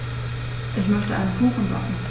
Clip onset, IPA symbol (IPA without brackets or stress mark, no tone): ʔ